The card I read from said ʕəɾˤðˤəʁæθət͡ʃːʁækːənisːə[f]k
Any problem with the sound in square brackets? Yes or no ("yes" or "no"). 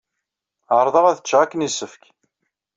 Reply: no